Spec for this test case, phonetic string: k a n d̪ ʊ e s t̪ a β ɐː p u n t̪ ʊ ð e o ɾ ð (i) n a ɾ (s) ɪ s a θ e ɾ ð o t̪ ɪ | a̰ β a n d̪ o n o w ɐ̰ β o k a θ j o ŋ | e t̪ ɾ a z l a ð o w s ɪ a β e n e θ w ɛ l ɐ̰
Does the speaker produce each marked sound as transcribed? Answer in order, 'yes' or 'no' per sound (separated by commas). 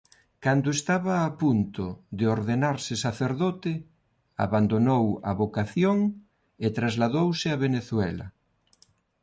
no, yes